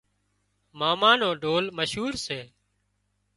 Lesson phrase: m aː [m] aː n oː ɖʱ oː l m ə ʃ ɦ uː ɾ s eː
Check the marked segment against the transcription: correct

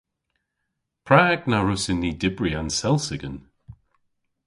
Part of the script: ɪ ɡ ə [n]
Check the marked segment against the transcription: correct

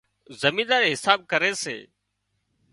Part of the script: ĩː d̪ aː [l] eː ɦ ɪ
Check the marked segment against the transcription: incorrect: ɾ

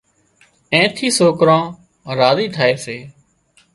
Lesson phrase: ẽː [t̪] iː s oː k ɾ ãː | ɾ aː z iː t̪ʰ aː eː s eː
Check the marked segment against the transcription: incorrect: t̪ʰ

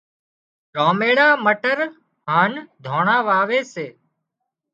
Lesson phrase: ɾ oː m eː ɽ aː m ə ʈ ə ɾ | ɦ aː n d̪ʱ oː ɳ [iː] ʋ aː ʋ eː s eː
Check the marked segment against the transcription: incorrect: aː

